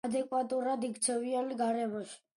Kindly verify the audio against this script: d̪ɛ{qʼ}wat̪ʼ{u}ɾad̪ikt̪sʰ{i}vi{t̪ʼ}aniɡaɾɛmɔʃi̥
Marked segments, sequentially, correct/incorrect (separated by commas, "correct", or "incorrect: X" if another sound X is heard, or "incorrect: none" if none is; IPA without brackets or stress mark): incorrect: kʼ, correct, incorrect: ɛ, incorrect: none